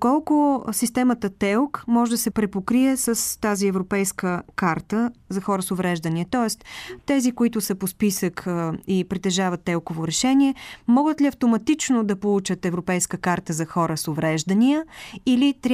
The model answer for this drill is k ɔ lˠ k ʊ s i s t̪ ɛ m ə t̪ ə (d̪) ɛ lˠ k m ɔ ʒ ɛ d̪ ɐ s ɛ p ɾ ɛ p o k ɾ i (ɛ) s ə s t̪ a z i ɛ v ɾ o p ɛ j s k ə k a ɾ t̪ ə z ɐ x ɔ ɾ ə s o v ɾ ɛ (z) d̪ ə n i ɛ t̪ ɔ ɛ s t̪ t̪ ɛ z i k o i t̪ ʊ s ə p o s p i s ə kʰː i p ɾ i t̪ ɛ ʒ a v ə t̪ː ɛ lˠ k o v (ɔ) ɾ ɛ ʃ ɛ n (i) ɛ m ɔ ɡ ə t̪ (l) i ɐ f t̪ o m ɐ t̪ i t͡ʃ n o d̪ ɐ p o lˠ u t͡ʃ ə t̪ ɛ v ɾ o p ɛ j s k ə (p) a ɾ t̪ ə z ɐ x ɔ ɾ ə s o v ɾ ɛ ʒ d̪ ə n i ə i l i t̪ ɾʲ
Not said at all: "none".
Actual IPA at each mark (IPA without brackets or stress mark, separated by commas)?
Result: t̪, ɛ, ʒ, o, i, l, k